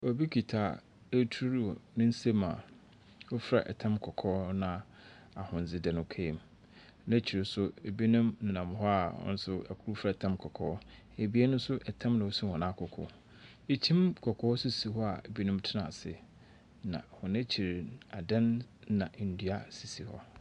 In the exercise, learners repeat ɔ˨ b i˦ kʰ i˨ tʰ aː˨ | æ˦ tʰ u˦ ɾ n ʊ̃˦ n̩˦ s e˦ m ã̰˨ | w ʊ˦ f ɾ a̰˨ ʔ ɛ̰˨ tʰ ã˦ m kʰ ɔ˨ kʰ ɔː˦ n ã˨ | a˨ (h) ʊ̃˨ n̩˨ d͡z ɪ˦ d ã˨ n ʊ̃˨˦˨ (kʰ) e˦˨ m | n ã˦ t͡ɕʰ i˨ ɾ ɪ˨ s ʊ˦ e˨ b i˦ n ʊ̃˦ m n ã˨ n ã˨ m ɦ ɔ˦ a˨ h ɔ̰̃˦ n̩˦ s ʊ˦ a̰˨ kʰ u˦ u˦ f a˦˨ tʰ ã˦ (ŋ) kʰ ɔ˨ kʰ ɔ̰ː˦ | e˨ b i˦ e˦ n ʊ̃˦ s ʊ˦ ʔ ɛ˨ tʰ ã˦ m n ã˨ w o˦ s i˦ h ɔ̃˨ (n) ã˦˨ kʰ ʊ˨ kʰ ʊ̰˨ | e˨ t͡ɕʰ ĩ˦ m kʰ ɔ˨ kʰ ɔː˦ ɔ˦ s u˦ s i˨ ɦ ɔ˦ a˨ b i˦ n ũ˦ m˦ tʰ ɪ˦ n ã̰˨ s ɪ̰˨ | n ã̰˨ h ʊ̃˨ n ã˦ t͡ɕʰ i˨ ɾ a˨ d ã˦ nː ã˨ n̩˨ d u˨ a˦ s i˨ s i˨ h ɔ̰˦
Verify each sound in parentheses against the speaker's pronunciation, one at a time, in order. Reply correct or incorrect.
correct, correct, incorrect: m, correct

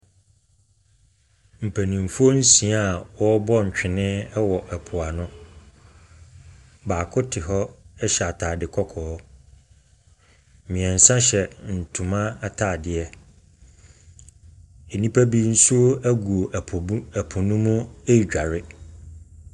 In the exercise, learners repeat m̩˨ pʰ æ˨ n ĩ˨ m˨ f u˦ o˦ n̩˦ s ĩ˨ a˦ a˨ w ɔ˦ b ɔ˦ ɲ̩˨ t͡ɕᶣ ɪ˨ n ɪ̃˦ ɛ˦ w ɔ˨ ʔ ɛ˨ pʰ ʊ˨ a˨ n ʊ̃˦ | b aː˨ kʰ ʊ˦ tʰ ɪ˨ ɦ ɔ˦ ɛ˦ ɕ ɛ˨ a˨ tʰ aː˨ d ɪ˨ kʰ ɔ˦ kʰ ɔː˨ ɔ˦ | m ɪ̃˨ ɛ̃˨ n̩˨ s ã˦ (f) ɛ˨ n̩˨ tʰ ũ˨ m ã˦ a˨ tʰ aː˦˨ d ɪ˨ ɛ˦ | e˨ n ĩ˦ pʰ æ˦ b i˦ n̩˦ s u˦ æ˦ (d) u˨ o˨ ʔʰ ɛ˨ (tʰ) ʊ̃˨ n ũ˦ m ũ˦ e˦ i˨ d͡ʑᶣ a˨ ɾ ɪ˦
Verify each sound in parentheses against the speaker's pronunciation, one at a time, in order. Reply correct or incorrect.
incorrect: ɕ, incorrect: ɡ, incorrect: pʰ

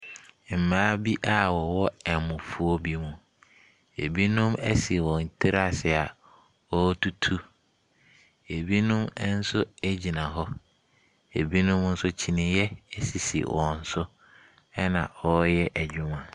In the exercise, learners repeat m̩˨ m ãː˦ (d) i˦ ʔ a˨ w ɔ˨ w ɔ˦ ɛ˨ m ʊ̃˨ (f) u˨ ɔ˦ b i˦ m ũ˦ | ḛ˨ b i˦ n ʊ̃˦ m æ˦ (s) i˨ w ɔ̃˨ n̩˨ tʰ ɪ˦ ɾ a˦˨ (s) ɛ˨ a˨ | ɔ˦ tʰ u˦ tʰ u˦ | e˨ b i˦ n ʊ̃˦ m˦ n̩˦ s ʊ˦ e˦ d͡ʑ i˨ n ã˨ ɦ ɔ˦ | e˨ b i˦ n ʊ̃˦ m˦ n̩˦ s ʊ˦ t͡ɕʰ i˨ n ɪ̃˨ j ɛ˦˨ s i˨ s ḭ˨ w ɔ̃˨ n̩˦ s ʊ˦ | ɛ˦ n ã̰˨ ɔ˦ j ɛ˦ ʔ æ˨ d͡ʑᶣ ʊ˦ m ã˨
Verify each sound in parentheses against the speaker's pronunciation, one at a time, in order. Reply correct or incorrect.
incorrect: b, correct, correct, correct

